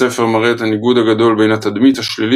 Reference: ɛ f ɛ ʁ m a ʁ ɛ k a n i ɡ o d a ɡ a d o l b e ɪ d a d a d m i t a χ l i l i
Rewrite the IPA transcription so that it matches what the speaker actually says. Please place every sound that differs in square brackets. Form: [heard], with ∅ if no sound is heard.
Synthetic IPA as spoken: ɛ f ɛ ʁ m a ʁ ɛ [t] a n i ɡ [u] d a ɡ a d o l b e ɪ [n] a [t] a d m i t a [ʃ] l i l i